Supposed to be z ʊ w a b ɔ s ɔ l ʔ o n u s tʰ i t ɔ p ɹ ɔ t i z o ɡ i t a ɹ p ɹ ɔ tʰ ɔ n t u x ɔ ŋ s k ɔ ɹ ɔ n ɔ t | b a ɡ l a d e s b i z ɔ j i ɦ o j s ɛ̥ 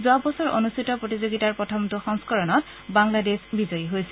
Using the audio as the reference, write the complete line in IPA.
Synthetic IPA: z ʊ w a b ɔ s ɔ ɹ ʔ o n u s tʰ i t ɔ p ɹ o t i z o ɡ i t a ɹ p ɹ ɔ tʰ ɔ m t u x ɔ ŋ s k ɔ ɹ ɔ n ɔ t | b a ŋ l a d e s b i z ɔ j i ɦ o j s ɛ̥